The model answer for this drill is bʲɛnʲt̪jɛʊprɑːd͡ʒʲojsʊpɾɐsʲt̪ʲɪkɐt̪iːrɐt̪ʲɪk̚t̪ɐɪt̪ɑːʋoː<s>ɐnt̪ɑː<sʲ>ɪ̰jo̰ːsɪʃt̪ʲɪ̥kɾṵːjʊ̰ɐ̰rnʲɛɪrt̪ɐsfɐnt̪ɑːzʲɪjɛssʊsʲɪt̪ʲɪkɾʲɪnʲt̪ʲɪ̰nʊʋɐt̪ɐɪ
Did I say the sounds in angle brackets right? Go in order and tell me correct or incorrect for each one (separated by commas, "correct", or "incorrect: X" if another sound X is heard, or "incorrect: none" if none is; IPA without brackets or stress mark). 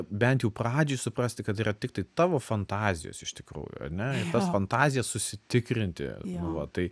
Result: incorrect: f, incorrect: zʲ